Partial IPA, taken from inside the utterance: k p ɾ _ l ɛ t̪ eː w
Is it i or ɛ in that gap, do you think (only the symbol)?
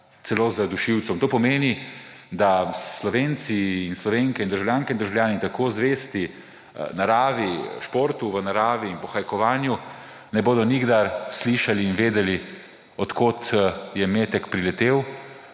i